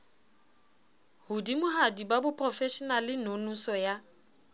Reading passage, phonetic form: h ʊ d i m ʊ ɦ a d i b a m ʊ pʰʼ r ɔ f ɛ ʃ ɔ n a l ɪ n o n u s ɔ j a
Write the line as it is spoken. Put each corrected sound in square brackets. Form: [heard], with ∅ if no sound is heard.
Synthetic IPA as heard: h ʊ d i m ʊ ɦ a d i b a [b] ʊ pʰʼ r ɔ f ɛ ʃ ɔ n a l ɪ n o n u s ɔ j a